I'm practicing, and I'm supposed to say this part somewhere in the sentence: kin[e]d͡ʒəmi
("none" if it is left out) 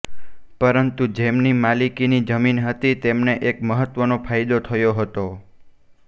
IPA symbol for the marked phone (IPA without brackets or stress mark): i